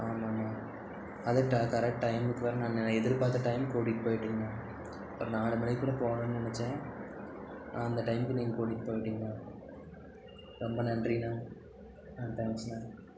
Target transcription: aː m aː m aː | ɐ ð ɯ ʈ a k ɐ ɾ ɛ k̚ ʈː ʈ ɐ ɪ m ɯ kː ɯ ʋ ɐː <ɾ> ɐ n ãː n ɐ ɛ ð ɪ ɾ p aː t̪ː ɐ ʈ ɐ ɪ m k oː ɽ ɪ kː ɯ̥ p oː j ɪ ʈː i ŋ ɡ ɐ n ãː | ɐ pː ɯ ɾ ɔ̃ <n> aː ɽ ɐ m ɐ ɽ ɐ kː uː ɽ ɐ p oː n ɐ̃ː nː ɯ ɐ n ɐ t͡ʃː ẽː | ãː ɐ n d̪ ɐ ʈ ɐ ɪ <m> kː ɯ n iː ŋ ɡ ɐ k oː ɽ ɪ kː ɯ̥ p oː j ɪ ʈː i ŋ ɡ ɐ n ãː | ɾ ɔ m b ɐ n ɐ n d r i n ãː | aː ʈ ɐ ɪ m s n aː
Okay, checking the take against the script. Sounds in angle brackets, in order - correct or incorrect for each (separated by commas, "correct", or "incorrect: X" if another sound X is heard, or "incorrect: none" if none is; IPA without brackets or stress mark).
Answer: correct, correct, correct